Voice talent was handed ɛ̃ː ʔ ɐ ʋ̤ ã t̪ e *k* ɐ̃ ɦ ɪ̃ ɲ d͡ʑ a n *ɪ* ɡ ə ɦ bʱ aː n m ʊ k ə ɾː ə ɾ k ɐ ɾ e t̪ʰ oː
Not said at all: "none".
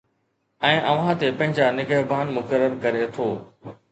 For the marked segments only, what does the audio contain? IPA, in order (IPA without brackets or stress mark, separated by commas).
p, ɪ